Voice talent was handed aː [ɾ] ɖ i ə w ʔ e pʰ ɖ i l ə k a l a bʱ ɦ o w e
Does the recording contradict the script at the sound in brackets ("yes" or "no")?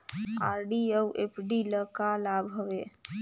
no